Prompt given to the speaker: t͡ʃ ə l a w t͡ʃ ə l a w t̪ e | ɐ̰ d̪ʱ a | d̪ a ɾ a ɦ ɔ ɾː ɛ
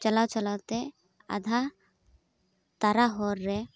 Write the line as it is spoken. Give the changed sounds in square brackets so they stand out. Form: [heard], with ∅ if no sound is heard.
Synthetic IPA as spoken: t͡ʃ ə l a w t͡ʃ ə l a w t̪ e | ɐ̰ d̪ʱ a | [t̪] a ɾ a ɦ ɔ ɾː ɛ